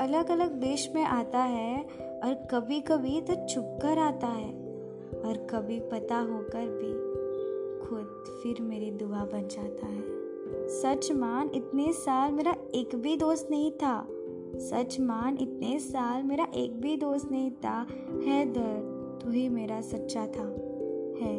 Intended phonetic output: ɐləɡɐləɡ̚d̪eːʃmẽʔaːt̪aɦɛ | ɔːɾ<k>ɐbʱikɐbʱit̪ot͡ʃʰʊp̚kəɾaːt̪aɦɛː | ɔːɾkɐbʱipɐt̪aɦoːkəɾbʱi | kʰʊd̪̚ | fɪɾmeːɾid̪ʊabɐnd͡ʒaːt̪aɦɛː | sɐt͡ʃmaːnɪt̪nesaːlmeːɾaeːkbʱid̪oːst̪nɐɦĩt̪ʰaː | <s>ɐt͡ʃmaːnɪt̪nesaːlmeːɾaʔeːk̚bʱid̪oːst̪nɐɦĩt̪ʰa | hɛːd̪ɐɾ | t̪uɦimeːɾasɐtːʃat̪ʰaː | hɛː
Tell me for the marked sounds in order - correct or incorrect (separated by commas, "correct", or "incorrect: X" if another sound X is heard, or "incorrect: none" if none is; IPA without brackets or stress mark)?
correct, correct